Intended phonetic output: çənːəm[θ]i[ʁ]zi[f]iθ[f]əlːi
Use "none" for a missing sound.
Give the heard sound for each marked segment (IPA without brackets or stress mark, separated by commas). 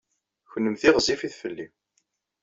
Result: θ, ʁ, f, f